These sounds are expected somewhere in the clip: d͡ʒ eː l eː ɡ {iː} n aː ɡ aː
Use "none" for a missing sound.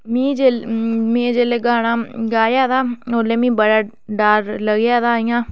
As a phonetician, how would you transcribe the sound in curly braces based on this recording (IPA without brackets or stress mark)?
aː